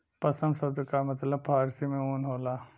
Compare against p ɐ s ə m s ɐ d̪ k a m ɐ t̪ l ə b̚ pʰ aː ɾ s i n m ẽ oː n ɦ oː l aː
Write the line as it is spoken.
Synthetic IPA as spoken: p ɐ s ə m s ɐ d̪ k a m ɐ t̪ l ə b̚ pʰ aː ɾ s i m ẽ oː n ɦ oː l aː